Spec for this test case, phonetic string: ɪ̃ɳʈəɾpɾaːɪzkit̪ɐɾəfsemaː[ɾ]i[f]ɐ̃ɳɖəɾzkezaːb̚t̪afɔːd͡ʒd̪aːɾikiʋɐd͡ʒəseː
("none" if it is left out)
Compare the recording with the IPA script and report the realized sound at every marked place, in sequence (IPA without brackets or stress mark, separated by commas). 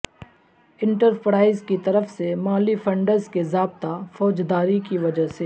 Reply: l, f